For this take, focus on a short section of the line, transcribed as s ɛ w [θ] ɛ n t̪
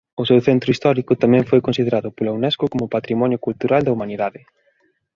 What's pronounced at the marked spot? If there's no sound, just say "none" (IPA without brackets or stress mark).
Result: θ